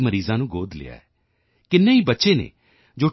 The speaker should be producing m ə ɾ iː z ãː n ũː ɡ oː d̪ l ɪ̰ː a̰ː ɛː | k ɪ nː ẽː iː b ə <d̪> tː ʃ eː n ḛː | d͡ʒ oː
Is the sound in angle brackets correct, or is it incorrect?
incorrect